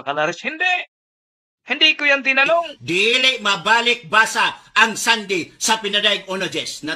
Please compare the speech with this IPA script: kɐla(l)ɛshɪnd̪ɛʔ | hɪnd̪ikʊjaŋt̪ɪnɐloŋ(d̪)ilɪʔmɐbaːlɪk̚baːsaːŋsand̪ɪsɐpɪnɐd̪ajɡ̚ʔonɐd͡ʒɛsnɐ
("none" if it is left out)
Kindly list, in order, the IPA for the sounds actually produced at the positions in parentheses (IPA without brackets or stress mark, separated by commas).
ɾ, d̪